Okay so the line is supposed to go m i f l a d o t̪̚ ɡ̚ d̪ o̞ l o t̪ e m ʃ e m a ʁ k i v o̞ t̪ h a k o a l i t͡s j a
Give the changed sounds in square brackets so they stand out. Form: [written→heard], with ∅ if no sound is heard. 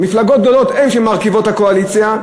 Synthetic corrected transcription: m i f l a [d→ɡ] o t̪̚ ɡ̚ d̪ o̞ l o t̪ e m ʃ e m a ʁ k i v o̞ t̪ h a k o a l i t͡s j a